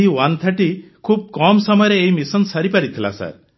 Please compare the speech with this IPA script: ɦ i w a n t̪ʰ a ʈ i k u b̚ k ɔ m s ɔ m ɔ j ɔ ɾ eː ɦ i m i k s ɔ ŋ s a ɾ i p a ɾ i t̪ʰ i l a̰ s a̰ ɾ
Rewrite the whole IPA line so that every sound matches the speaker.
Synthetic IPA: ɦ i w a n t̪ʰ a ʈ i kʰ u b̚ k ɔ m s ɔ m ɔ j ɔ ɾ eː ɦ i m i s ɔ n s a ɾ i p a ɾ i t̪ʰ i l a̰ s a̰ ɾ